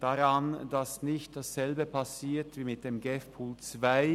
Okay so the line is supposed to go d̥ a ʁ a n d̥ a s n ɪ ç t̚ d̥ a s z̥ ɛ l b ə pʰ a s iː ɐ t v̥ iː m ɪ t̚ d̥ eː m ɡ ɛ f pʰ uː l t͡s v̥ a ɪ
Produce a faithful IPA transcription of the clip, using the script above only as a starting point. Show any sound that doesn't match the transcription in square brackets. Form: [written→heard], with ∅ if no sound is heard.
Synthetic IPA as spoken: d̥ a ʁ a n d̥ a s n ɪ ç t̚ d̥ a s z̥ ɛ l b ə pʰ a s iː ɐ t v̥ iː m ɪ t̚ d̥ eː m ɡ ɛ f pʰ uː l t͡s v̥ a ɪ